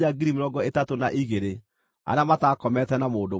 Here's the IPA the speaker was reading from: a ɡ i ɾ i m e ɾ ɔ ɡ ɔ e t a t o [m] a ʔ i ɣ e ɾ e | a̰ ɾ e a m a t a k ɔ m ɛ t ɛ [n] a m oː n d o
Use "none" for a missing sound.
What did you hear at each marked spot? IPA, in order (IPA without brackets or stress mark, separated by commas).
n, n